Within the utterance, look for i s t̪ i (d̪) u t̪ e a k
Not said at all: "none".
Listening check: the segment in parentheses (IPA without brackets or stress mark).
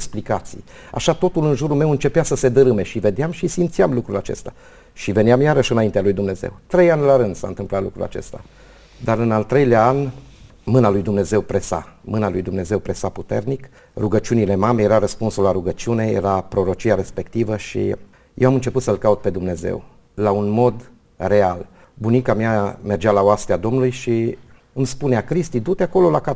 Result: d̪